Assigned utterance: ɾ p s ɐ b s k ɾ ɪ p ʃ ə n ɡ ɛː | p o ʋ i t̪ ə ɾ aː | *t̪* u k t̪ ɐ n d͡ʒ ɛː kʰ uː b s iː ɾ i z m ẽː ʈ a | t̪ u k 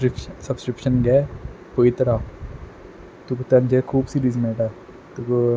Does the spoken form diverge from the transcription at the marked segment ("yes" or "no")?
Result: no